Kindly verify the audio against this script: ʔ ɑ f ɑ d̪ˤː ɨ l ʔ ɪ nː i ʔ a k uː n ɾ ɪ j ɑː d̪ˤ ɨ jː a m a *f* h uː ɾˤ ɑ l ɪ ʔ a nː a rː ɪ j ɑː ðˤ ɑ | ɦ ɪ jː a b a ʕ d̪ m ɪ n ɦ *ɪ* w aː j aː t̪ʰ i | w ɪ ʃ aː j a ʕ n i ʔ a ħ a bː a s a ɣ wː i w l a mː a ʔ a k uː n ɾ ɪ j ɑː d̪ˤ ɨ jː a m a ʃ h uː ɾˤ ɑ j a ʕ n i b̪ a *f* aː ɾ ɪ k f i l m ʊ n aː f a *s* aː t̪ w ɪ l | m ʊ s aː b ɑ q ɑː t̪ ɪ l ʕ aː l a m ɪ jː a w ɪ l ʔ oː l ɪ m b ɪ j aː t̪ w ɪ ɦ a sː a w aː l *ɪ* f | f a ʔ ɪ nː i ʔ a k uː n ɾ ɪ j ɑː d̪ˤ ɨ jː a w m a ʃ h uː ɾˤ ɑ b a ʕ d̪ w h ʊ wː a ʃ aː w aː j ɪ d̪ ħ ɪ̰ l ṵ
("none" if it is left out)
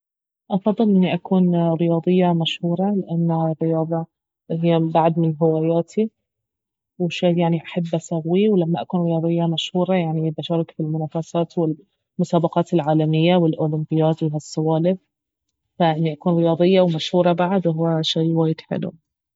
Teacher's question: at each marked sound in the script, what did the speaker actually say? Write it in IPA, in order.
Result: ʃ, ɪ, ʃ, s, ɪ

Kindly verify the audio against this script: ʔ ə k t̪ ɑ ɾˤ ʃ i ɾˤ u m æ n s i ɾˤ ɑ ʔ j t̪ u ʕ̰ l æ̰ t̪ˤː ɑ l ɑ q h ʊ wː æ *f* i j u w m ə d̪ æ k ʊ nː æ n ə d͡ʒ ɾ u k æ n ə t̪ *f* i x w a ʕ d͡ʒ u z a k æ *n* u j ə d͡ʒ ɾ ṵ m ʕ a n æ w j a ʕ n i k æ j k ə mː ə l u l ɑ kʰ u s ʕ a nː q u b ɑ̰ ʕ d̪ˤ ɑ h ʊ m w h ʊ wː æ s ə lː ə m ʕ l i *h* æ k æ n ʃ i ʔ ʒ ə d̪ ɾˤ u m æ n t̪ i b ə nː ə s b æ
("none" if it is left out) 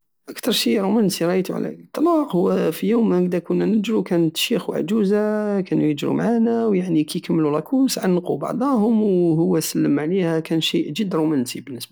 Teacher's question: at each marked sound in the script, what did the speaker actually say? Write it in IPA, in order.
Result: f, ʃ, n, h

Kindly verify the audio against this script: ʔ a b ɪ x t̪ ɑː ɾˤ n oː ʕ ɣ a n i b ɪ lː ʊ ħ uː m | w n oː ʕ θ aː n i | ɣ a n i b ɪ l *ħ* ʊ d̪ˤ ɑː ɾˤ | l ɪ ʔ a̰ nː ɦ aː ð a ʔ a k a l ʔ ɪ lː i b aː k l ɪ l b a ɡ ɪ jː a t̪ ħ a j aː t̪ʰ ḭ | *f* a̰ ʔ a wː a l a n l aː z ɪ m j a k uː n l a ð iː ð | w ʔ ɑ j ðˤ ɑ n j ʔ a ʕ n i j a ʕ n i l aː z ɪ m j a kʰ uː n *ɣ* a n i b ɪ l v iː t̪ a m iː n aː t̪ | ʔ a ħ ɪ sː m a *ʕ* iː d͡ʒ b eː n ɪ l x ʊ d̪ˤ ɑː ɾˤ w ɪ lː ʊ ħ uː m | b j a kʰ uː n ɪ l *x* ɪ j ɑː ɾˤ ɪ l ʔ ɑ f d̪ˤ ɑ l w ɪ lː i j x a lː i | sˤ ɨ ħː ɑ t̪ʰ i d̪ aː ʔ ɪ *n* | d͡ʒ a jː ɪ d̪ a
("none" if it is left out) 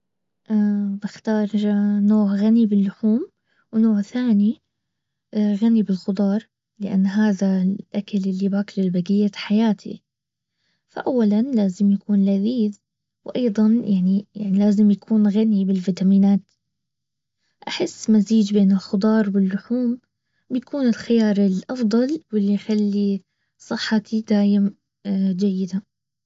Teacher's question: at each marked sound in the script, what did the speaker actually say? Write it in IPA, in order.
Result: x, f, ɣ, z, x, m

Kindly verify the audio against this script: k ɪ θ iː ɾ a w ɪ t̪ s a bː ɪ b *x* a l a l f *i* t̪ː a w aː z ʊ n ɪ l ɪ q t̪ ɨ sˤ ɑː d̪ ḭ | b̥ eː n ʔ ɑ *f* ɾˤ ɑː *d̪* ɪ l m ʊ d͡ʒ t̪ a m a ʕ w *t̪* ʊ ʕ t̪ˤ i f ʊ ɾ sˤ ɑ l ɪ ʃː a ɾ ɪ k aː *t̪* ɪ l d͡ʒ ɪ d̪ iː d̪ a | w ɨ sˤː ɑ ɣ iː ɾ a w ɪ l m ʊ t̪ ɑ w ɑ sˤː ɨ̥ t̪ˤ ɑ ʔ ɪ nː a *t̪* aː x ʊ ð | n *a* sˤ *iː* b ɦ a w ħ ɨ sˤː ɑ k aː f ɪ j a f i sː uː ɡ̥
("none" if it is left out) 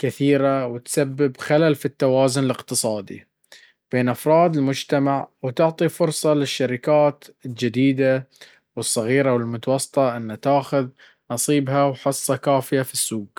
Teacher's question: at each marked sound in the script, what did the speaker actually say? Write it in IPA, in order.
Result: x, i, f, d̪, t̪, t̪, t̪, ɑ, iː

